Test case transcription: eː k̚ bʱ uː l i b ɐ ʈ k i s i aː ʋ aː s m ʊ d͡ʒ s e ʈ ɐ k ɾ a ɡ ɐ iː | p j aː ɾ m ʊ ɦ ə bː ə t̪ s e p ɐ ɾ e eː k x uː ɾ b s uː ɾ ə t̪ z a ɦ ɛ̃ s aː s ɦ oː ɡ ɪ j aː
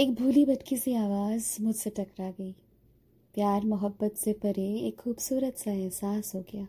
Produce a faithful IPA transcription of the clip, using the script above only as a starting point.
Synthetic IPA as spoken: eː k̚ bʱ uː l i b ɐ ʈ k i s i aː ʋ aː z m ʊ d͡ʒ s e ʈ ɐ k ɾ a ɡ ɐ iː | p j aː ɾ m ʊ ɦ ə bː ə t̪ s e p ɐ ɾ e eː k x uː b s uː ɾ ə t̪ s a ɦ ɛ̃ s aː s ɦ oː ɡ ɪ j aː